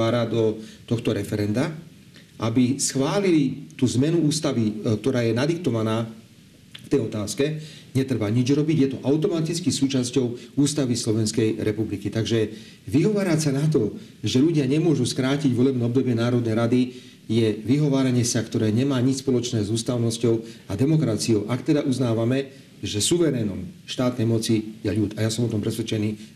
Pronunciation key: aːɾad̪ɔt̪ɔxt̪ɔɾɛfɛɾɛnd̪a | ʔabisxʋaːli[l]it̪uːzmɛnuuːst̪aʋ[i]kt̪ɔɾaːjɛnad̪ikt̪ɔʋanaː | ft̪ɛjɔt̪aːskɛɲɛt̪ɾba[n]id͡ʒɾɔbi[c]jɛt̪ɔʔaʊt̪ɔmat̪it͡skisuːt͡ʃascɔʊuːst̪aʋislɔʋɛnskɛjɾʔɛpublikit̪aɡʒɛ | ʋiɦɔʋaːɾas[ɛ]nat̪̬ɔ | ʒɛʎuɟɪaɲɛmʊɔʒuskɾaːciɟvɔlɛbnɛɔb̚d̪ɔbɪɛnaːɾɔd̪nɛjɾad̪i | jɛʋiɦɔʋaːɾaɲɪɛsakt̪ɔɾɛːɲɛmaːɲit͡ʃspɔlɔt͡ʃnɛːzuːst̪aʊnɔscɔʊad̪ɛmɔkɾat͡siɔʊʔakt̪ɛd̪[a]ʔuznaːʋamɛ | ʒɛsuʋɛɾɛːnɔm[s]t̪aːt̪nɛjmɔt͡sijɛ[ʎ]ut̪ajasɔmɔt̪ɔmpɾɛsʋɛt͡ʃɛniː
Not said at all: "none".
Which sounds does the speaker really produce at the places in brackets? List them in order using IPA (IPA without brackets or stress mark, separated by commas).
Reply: l, i, ɲ, ɟ, a, a, ʃ, ʎ